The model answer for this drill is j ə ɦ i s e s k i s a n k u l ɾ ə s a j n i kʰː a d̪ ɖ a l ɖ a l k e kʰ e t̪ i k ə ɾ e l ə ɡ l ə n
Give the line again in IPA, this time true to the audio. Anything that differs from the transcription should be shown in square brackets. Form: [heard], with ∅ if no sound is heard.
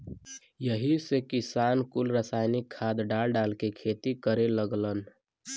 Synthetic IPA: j ə ɦ i s e [∅] k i s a n k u l ɾ ə s a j n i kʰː a d̪ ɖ a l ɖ a l k e kʰ e t̪ i k ə ɾ e l ə ɡ l ə n